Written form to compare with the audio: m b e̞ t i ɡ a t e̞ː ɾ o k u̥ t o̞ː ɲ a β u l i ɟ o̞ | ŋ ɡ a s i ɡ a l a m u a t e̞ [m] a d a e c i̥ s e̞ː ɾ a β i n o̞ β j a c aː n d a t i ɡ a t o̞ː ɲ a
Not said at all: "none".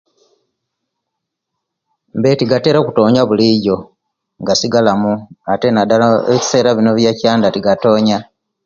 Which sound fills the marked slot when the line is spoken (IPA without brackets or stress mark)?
n